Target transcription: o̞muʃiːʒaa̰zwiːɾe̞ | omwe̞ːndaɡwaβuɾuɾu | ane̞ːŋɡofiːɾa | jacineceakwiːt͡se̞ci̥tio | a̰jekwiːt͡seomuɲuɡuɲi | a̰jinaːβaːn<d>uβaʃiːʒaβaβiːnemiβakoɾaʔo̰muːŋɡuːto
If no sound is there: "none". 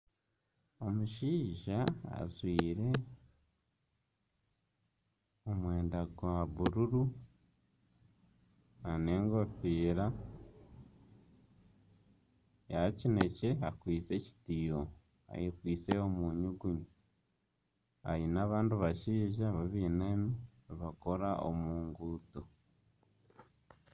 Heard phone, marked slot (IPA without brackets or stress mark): d